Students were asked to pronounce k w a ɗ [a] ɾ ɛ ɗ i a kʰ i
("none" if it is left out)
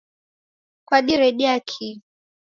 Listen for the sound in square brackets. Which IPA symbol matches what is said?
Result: i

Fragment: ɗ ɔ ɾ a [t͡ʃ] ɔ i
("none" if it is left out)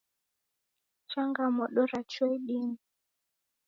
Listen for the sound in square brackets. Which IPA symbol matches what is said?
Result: t͡ʃ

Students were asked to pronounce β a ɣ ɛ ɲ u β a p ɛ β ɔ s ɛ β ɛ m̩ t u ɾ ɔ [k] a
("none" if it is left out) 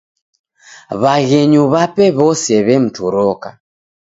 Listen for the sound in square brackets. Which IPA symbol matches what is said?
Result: k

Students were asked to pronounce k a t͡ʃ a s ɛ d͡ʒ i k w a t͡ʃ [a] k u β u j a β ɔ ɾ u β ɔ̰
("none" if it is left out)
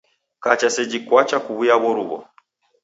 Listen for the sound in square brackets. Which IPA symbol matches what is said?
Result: a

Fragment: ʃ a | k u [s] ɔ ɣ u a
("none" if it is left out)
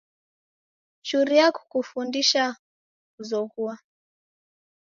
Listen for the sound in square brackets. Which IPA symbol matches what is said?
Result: z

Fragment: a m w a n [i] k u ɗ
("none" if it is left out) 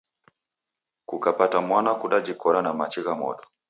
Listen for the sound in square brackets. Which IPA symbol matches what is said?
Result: a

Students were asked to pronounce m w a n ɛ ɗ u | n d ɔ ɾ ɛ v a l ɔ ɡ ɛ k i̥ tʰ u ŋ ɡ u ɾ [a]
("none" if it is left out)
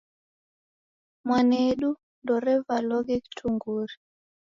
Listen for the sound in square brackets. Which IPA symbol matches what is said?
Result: i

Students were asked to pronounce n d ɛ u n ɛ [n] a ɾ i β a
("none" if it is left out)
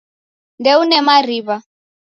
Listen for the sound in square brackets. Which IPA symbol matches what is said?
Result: m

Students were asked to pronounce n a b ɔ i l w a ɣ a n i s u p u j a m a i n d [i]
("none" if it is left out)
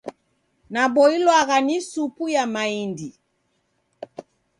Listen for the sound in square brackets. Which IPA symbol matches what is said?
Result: i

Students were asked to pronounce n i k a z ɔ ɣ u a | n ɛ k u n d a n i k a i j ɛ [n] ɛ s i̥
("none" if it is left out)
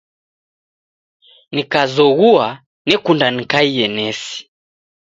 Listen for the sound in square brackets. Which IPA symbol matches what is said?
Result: n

